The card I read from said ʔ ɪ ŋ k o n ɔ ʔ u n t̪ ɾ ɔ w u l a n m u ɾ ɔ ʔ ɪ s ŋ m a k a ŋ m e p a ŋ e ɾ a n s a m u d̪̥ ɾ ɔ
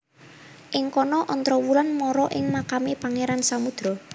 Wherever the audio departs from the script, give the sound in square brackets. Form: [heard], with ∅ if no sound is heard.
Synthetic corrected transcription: ʔ ɪ ŋ k [ɔ] n ɔ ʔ [ɔ] n t̪ ɾ ɔ w u l a n m [ɔ] ɾ ɔ ʔ ɪ [∅] ŋ m a k a [∅] m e p a ŋ e ɾ a n s a m u d̪̥ ɾ ɔ

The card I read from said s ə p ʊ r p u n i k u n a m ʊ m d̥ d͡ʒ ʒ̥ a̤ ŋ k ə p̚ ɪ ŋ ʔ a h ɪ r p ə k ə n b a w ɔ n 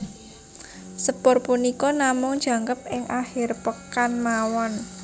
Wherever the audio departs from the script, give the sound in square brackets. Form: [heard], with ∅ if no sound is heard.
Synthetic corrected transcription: s ə p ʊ r p u n i k [ɔ] n a m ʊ [ŋ] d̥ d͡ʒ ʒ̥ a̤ ŋ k ə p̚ ɪ ŋ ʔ a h ɪ r p ə k [a] n [m] a w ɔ n

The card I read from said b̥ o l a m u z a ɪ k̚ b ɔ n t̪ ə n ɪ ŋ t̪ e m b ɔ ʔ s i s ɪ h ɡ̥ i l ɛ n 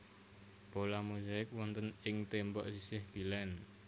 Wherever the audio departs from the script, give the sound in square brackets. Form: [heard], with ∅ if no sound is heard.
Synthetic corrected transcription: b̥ o l a m u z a ɪ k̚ [w] ɔ n t̪ ə n ɪ ŋ t̪ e m b ɔ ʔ s i s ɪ h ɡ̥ i l ɛ n

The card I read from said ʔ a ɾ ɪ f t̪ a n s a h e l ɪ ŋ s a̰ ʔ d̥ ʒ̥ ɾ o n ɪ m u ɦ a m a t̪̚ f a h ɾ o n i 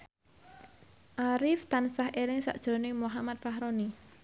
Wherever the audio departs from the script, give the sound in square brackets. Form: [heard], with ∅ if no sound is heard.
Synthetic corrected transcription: ʔ a ɾ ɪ f t̪ a n s a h e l ɪ ŋ s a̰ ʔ d̥ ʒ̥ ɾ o n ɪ m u ɦ a m a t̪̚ f a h ɾ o n i

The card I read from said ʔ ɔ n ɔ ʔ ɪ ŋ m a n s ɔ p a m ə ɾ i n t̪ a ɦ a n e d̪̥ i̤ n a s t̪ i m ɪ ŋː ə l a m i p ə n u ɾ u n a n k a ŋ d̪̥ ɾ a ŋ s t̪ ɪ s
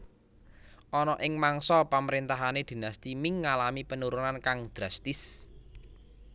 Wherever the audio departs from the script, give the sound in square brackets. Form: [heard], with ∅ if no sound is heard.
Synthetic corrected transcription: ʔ ɔ n ɔ ʔ ɪ ŋ m a [ŋ] s ɔ p a m ə ɾ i n t̪ a ɦ a n e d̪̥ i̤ n a s t̪ i m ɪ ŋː [a] l a m i p ə n u ɾ u n a n k a ŋ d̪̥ ɾ a [∅] s t̪ ɪ s

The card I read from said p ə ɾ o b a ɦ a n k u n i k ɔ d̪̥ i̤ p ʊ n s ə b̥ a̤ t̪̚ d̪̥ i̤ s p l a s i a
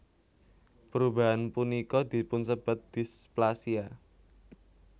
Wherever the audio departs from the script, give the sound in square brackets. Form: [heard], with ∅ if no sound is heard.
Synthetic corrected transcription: p ə ɾ [u] b a ɦ a n [p] u n i k ɔ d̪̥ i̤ p ʊ n s ə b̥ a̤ t̪̚ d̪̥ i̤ s p l a s i a

